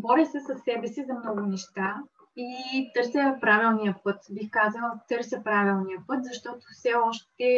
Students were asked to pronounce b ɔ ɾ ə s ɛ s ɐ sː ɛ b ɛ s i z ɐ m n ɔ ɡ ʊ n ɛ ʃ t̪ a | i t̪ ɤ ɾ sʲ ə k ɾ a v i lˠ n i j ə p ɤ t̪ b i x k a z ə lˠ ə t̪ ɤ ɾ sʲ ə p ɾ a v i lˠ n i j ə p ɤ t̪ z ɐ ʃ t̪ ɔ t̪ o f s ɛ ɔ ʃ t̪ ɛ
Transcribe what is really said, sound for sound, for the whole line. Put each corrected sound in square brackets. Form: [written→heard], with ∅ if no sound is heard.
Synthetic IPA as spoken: b ɔ ɾ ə s ɛ s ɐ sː ɛ b ɛ s i z ɐ m n ɔ ɡ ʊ n ɛ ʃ t̪ a | i t̪ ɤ ɾ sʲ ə [k→p] ɾ a v i lˠ n i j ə p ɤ t̪ b i x k a z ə lˠ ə t̪ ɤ ɾ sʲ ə p ɾ a v i lˠ n i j ə p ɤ t̪ z ɐ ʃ t̪ ɔ t̪ o f s ɛ ɔ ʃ t̪ ɛ